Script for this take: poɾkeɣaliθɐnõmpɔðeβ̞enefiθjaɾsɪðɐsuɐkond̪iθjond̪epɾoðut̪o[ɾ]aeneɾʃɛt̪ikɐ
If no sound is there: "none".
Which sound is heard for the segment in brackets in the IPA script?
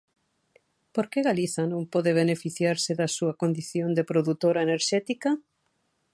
ɾ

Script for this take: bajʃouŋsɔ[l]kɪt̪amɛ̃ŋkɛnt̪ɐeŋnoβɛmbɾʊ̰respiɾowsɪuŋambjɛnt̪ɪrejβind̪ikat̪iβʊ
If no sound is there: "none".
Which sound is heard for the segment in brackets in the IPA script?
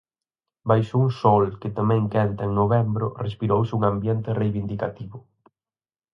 l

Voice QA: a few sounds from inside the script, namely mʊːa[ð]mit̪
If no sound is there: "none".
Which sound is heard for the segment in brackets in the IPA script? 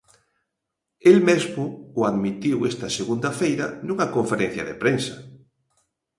ð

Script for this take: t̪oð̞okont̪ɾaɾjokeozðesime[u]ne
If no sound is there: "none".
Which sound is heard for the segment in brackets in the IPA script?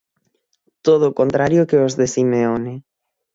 o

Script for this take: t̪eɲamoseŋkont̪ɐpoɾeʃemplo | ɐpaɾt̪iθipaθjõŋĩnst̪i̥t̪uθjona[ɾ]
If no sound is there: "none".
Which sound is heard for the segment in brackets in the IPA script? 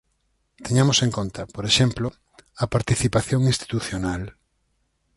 l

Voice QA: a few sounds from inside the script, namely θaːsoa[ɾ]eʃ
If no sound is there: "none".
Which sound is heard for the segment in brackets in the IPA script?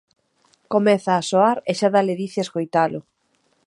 ɾ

